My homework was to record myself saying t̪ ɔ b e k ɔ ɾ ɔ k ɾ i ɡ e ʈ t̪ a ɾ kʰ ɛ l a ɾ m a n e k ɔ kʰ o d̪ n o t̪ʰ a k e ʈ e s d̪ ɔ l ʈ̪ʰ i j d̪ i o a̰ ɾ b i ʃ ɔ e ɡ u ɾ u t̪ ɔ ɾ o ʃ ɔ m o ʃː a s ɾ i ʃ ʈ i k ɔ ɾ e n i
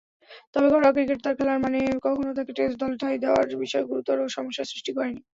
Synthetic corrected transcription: t̪ ɔ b e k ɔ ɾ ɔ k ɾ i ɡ e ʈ t̪ a ɾ kʰ ɛ l a ɾ m a n e k ɔ kʰ o n o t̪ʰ a k e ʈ e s d̪ ɔ l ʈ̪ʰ a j d̪ e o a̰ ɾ b i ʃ ɔ e ɡ u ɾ u t̪ ɔ ɾ o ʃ ɔ m o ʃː a s ɾ i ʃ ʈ i k ɔ ɾ e n i